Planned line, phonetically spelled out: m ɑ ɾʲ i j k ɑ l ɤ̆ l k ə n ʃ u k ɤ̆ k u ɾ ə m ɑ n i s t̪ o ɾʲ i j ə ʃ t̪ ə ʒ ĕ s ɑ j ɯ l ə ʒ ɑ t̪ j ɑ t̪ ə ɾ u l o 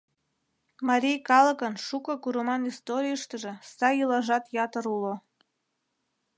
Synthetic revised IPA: m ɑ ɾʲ i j k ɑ l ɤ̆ k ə n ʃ u k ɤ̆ k u ɾ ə m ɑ n i s t̪ o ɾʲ i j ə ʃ t̪ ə ʒ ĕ s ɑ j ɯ l ɑ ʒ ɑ t̪ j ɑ t̪ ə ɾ u l o